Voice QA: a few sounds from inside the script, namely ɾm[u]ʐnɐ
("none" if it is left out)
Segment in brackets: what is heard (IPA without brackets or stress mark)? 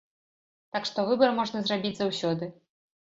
ɔ